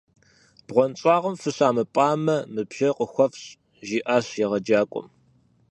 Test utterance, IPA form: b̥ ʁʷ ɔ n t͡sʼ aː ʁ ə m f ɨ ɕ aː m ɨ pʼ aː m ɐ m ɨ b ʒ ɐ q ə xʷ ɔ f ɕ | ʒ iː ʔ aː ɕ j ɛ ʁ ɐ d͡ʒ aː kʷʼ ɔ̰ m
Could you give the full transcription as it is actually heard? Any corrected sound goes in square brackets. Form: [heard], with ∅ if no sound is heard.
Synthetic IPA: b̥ ʁʷ ɔ n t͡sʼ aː ʁ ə m f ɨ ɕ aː m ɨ pʼ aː m ɐ m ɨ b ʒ ɐ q ə xʷ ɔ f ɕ | ʒ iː ʔ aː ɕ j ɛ ʁ ɐ d͡ʒ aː kʷʼ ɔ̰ m